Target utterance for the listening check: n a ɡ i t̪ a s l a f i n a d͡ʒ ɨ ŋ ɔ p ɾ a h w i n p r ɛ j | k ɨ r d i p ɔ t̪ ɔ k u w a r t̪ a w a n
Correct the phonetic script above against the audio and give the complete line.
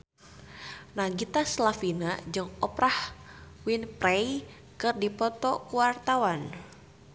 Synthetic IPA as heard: n a ɡ i t̪ a s l a f i n a d͡ʒ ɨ ŋ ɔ p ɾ a h w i n p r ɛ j | k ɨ r d i p ɔ t̪ ɔ k u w a r t̪ a w a n